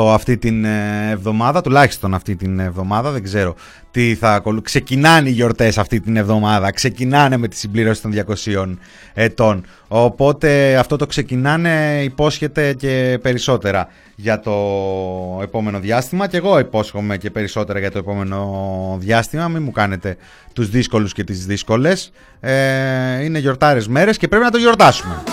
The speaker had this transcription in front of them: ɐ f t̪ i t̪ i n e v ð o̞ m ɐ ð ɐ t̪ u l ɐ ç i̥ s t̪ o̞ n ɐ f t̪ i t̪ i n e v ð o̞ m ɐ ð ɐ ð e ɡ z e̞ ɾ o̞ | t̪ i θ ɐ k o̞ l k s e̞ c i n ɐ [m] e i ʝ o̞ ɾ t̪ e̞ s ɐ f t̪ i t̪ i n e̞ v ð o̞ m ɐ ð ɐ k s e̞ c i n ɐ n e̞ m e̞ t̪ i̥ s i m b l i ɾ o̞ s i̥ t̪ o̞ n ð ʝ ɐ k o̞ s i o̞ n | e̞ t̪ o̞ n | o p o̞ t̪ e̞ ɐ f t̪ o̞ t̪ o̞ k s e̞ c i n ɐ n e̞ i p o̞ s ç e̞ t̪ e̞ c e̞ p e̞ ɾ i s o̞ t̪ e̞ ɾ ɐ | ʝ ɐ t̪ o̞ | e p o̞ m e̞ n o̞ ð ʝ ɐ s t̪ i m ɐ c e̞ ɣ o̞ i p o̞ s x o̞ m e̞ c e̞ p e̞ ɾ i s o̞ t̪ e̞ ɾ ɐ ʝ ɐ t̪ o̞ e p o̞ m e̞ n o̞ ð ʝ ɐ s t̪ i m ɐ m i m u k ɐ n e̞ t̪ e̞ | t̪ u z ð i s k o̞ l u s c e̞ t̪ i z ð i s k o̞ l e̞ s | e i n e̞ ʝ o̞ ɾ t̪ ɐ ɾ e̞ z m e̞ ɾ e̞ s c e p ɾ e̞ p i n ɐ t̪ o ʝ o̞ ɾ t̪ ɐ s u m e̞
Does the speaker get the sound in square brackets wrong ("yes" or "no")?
yes